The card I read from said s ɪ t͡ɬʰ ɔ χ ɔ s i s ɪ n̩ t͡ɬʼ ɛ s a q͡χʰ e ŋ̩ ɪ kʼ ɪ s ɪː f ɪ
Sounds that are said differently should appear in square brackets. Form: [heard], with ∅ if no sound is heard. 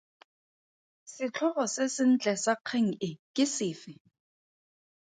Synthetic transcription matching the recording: s ɪ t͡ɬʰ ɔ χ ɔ s [ɪ] s ɪ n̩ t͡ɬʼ ɛ s a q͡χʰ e ŋ̩ ɪ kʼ ɪ s ɪː f ɪ

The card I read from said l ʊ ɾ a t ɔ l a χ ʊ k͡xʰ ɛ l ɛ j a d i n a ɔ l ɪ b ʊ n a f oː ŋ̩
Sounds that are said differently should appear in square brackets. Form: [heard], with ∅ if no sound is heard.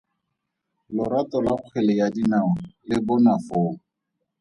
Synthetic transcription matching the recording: l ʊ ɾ a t ɔ l a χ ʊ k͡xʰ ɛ l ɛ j a d i n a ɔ l ɪ b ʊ n a f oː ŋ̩

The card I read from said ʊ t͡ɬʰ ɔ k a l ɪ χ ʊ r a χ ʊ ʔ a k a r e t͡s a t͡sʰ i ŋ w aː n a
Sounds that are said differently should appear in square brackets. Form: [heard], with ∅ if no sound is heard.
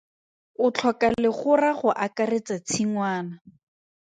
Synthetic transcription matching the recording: ʊ t͡ɬʰ ɔ k a l ɪ χ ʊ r a χ ʊ ʔ a k a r e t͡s a t͡sʰ i ŋ w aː n a

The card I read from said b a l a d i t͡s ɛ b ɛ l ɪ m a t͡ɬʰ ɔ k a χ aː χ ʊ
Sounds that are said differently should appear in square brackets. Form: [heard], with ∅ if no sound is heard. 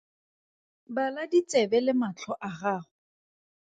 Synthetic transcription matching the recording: b a l a d i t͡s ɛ b ɛ l ɪ m a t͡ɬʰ ɔ [ʔ] a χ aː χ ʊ

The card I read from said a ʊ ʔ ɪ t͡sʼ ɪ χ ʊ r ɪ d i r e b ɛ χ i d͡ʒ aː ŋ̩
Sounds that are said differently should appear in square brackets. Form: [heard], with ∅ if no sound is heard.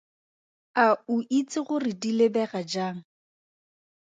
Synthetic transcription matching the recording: a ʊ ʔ [i] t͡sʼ ɪ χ ʊ r ɪ d i [l] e b ɛ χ [a] d͡ʒ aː ŋ̩

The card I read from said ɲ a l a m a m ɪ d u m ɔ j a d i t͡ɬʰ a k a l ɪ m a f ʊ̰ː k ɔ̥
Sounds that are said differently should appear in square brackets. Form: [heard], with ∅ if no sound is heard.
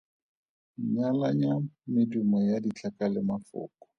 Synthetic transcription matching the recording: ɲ a l a [ɲ] a m ɪ d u m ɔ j a d i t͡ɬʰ a k a l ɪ m a f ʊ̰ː k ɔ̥

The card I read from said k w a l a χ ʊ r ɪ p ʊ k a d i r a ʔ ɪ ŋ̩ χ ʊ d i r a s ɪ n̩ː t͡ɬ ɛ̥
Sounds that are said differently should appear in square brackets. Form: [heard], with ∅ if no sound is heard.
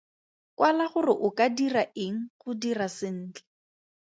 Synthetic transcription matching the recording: k w a l a χ ʊ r ɪ [ʔ] ʊ k a d i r a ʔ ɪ ŋ̩ χ ʊ d i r a s ɪ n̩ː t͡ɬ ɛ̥

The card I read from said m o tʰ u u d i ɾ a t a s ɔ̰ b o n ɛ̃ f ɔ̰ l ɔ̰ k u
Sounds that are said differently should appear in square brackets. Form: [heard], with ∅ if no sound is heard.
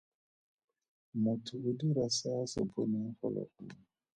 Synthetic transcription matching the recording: m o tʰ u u d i ɾ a [s] a s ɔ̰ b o n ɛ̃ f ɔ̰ l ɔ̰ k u

